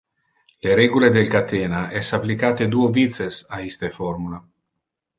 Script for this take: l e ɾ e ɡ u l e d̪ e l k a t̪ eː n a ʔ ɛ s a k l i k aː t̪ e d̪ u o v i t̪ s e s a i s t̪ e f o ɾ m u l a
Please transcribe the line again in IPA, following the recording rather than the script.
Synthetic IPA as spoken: l e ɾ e ɡ u l e d̪ e l k a t̪ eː n a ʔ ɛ s a p l i k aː t̪ e d̪ u o v i t̪ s e s a i s t̪ e f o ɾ m u l a